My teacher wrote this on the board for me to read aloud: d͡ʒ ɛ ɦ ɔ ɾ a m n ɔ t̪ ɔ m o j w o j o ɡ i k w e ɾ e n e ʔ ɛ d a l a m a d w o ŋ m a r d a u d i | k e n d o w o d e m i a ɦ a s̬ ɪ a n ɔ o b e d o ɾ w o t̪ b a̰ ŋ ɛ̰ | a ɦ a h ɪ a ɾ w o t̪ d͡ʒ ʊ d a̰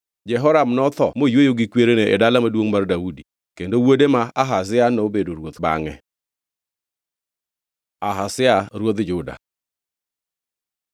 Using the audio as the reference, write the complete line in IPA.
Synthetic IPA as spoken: d͡ʒ ɛ ɦ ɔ ɾ a m n ɔ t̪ ɔ m o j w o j o ɡ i k w e ɾ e n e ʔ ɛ d a l a m a d w o ŋ m a r d a u d i | k e n d o w o d e m a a ɦ a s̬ ɪ a n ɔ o b e d o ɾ w o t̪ b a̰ ŋ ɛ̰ | a ɦ a s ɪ a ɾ w o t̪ d͡ʒ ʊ d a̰